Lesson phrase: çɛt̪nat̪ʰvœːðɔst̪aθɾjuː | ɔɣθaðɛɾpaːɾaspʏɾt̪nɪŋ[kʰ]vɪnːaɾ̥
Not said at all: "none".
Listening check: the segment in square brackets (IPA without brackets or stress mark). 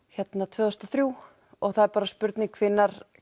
kʰ